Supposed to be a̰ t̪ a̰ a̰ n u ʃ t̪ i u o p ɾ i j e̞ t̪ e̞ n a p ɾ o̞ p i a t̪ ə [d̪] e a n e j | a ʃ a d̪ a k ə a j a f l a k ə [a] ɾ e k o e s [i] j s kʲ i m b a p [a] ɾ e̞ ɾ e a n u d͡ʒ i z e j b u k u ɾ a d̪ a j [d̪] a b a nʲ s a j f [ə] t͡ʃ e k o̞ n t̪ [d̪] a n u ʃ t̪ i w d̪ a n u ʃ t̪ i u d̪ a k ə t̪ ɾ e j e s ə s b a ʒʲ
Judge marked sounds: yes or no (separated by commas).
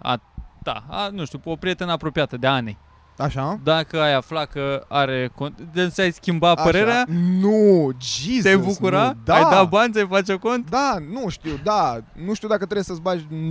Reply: yes, yes, no, no, yes, no, yes